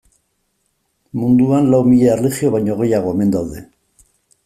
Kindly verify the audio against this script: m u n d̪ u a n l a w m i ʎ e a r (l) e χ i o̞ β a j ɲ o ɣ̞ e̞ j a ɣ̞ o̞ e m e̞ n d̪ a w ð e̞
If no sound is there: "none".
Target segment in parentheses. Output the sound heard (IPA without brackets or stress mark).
l